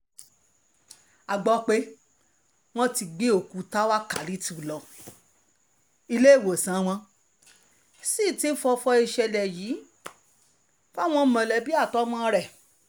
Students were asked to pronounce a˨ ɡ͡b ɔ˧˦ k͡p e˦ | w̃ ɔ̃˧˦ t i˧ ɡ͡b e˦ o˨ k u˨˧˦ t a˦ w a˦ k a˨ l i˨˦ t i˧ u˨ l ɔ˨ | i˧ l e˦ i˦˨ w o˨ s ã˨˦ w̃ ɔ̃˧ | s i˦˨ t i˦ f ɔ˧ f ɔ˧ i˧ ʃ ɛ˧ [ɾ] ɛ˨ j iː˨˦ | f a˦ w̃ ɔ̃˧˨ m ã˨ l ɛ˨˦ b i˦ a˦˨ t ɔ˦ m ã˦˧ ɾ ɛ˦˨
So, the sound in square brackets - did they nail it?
no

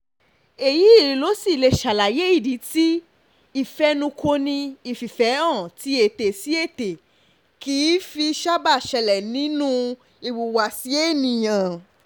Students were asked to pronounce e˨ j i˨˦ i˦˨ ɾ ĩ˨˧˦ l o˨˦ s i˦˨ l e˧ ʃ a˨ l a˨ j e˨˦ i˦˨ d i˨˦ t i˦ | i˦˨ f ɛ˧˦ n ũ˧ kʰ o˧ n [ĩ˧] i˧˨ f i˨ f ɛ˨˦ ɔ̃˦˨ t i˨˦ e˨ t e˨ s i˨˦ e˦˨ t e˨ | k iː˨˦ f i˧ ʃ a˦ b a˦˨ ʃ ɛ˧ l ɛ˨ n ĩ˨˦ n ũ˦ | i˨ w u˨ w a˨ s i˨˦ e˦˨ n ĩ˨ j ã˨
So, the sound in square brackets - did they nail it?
yes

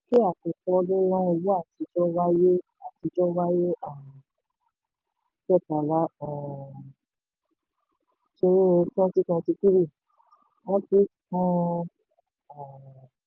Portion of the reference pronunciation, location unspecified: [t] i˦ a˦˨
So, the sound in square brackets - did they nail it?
no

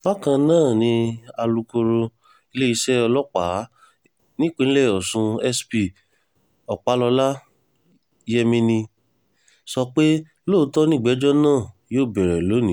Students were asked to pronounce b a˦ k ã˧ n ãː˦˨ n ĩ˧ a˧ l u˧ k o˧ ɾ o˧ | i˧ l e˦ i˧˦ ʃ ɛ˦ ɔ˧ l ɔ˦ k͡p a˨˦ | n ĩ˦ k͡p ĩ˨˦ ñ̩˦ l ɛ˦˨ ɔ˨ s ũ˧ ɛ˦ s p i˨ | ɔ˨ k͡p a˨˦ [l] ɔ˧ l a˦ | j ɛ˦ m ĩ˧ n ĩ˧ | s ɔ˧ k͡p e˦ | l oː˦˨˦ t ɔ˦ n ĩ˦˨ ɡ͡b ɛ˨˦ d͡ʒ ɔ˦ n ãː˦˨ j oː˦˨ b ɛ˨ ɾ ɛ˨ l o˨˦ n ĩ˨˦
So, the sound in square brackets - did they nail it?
yes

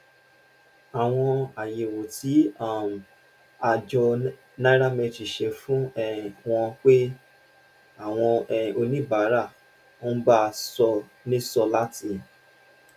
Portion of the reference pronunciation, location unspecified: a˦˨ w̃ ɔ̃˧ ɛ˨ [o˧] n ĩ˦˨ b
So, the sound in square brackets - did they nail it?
yes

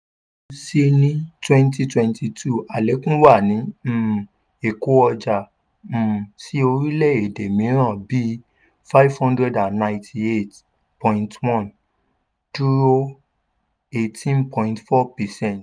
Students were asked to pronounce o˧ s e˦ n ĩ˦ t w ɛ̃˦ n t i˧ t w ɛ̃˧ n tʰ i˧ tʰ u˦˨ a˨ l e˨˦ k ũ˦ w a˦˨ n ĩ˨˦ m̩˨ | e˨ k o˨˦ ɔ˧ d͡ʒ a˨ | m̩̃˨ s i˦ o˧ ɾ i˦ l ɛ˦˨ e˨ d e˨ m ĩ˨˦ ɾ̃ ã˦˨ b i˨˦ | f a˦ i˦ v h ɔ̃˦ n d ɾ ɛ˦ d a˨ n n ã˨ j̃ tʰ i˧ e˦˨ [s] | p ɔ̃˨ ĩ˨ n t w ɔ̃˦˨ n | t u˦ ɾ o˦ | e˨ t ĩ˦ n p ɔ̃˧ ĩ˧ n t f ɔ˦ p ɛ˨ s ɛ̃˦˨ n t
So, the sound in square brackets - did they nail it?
no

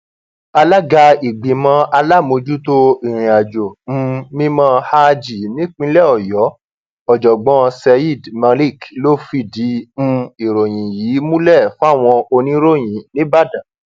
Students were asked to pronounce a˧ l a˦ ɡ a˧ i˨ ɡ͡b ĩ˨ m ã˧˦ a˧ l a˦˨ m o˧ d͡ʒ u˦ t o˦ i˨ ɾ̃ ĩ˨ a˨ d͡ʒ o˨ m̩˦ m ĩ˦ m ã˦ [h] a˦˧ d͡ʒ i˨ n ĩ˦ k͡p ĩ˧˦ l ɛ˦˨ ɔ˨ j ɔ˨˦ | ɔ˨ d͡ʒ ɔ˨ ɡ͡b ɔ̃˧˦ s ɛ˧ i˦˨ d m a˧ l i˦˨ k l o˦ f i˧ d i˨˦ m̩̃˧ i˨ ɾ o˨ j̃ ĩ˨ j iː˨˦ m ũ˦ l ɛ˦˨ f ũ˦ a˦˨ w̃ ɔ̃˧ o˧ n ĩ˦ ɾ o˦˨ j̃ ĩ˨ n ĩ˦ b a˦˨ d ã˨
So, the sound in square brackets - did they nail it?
yes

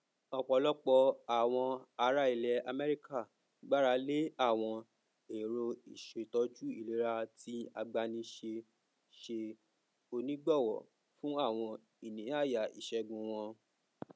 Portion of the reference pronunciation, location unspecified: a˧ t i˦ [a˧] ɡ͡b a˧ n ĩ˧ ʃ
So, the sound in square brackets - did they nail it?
yes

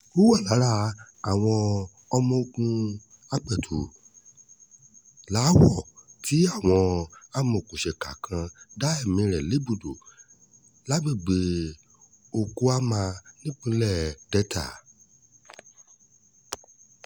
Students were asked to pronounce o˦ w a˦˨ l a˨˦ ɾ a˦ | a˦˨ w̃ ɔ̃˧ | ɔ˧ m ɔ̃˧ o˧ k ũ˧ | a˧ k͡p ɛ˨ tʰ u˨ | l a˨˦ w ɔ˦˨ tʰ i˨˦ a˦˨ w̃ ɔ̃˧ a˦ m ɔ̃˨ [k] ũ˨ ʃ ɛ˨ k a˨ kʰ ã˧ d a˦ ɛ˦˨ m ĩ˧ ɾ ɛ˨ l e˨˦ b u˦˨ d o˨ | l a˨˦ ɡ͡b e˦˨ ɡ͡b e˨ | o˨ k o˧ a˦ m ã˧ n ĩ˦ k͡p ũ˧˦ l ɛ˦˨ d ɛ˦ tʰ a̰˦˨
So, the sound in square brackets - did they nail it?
yes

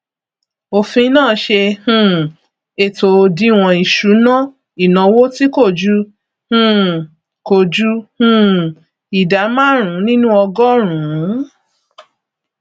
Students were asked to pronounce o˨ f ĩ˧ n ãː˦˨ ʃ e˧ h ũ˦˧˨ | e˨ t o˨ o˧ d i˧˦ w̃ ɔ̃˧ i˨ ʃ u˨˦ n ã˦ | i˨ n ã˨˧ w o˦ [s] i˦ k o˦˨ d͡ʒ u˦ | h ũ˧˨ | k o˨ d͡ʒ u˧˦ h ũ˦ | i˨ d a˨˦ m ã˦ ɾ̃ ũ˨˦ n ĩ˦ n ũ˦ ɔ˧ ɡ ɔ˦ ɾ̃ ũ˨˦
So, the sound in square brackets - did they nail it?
no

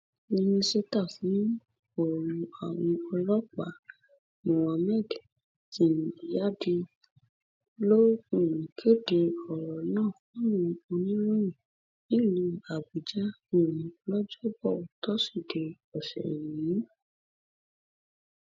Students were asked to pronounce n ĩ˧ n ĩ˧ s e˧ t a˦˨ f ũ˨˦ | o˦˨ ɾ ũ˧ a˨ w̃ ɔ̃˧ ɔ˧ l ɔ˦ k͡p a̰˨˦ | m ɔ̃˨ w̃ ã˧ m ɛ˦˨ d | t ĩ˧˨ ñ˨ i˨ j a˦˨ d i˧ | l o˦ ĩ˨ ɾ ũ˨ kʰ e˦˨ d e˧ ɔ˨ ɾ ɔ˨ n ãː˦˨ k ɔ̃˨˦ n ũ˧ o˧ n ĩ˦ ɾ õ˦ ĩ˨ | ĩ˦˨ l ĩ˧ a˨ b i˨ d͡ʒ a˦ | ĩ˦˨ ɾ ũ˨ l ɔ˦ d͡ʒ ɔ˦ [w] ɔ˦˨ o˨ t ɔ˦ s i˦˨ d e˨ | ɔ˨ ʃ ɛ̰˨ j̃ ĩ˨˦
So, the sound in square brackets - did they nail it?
no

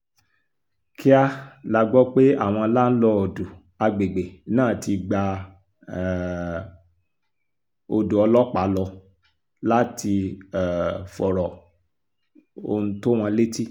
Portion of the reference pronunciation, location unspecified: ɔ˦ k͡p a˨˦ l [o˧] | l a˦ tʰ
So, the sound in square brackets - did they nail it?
no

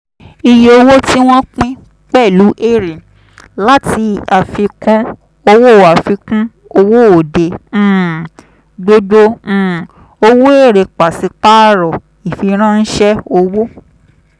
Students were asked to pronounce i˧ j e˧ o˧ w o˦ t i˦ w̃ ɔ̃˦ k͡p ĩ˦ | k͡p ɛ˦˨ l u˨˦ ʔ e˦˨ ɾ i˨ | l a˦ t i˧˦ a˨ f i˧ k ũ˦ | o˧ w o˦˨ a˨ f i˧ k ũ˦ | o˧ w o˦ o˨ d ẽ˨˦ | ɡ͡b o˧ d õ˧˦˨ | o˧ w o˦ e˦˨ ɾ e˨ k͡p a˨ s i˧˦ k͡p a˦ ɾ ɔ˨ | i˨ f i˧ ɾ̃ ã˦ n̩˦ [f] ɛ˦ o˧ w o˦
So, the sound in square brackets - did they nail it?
no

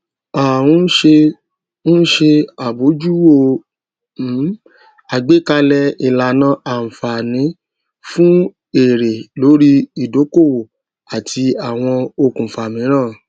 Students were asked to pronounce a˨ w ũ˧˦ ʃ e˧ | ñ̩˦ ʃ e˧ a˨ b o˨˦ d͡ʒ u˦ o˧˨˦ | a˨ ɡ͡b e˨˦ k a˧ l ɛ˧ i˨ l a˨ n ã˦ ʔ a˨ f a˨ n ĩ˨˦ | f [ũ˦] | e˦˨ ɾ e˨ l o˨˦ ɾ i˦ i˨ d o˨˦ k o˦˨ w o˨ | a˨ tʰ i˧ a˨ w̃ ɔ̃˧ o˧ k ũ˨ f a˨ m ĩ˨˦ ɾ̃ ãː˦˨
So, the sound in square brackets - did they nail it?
yes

